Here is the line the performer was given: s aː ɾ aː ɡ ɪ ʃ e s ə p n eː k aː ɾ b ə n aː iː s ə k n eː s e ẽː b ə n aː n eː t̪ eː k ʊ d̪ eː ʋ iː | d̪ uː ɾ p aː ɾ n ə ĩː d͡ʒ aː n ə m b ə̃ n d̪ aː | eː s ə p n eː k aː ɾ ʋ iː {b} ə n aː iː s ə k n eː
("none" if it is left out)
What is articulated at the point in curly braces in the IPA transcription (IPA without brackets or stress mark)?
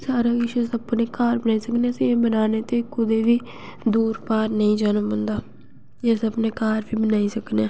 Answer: b